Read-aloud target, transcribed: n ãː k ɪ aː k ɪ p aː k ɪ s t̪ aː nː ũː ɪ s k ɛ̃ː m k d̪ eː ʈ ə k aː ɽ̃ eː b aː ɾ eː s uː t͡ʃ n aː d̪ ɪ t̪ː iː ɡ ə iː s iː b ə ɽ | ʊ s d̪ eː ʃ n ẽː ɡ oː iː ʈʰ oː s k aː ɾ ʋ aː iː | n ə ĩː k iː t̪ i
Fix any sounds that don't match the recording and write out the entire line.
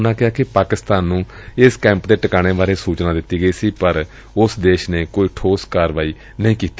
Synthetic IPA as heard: n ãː k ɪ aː k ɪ p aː k ɪ s t̪ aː nː ũː ɪ s k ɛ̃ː m p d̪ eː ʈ ə k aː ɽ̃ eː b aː ɾ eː s uː t͡ʃ n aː d̪ ɪ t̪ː iː ɡ ə iː s iː p ə ɾ | ʊ s d̪ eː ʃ n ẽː k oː iː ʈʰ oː s k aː ɾ ʋ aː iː | n ə ĩː k iː t̪ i